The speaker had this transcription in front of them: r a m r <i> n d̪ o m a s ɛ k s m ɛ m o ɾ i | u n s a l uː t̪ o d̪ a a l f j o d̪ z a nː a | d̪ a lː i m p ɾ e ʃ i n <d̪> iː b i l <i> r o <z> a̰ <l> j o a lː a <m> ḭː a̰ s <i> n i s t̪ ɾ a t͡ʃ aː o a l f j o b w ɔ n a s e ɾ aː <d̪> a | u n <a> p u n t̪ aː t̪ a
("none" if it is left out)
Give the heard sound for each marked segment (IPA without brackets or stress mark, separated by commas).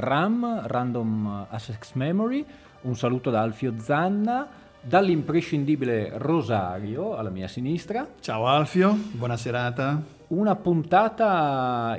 a, d̪, e, z, ɾ, m, i, t̪, a